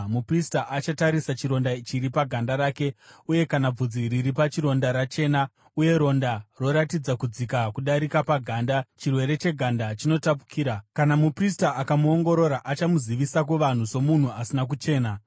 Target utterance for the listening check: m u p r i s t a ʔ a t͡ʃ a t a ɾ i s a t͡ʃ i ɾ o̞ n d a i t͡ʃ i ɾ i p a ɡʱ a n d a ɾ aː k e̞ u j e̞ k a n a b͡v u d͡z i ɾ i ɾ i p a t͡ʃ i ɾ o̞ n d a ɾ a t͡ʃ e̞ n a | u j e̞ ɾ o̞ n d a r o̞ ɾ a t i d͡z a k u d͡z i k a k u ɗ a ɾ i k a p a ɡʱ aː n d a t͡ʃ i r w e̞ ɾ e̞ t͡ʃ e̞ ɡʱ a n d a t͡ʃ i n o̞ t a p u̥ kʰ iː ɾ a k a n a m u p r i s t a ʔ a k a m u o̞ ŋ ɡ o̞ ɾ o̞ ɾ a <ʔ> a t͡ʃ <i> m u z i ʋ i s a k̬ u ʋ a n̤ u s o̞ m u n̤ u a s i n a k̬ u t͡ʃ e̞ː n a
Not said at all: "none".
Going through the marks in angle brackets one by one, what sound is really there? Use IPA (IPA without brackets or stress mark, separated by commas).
ʔ, a